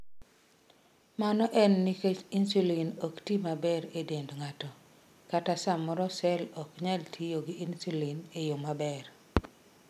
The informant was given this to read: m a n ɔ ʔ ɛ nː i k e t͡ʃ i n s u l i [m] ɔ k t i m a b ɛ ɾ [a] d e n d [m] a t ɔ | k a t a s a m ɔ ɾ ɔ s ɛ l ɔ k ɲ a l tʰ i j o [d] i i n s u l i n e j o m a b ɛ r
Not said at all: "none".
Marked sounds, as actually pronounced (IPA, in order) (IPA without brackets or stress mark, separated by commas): n, e, ŋ, ɡ